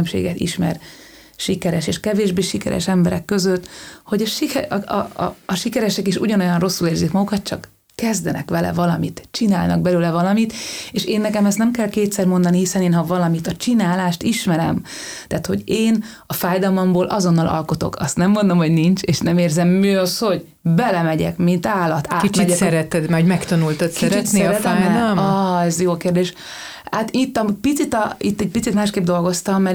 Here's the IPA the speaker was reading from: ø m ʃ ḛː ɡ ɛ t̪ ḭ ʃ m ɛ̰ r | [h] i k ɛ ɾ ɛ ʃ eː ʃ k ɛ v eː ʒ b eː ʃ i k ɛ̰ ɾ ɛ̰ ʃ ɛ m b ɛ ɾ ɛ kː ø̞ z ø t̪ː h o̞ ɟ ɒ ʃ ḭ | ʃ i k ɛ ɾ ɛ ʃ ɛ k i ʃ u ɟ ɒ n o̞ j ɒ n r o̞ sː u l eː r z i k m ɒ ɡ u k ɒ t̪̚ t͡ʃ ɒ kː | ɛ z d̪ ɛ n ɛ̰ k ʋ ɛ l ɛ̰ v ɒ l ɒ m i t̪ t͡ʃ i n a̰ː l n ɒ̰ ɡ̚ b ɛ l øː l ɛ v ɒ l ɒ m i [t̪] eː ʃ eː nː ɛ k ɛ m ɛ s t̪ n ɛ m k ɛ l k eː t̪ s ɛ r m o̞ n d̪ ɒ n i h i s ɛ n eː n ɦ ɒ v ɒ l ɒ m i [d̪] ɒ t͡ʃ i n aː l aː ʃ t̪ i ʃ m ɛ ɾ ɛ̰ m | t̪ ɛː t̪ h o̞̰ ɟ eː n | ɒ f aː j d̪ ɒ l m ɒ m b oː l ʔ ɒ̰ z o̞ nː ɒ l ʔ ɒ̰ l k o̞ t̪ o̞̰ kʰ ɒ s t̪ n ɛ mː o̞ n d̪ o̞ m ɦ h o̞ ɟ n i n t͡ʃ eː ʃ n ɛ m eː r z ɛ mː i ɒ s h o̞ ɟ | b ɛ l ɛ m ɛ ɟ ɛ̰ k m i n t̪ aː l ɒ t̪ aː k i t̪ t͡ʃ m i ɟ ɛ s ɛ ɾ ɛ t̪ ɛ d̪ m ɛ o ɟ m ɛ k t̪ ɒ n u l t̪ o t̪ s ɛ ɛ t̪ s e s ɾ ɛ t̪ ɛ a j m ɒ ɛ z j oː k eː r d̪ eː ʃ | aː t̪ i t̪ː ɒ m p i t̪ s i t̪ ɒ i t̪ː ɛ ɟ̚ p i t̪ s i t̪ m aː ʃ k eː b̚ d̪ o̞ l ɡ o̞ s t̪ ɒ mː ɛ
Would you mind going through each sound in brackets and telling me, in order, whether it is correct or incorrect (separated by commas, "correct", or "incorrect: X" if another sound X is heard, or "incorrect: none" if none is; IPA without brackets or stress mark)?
incorrect: ʃ, correct, incorrect: t̪